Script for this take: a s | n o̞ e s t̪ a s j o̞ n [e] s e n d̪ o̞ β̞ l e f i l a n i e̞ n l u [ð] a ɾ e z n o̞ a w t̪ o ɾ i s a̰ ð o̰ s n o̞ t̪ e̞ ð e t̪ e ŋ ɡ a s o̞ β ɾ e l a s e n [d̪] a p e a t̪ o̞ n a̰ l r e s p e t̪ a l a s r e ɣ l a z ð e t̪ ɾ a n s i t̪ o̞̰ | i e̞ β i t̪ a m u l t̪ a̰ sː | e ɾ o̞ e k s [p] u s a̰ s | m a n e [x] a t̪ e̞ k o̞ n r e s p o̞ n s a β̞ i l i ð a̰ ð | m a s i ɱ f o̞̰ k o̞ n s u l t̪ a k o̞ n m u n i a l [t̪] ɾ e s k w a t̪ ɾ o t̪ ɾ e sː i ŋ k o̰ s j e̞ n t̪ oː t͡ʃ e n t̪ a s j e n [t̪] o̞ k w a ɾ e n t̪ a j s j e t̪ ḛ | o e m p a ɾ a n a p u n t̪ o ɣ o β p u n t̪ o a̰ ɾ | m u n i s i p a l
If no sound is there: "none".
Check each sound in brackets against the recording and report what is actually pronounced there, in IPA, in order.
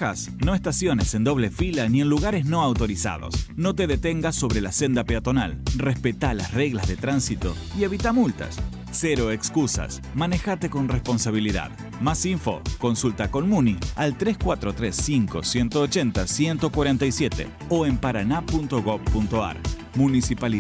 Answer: e, ɣ, d̪, k, x, t̪, t̪

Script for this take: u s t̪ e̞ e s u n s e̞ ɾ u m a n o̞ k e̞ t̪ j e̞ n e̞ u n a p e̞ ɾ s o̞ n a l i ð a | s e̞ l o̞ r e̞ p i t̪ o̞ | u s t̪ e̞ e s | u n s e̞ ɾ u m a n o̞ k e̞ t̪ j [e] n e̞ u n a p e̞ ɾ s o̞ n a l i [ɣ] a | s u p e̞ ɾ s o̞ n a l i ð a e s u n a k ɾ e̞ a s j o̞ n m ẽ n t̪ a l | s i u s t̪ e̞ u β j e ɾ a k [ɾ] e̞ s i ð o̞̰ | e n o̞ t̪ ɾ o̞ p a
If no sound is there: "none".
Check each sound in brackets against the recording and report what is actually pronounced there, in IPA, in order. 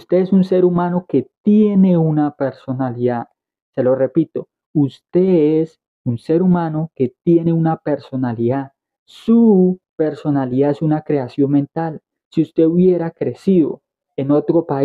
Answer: e, ð, ɾ

